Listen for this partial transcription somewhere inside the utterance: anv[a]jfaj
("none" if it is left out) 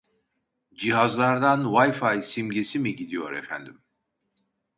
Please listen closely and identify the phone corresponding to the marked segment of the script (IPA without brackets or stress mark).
a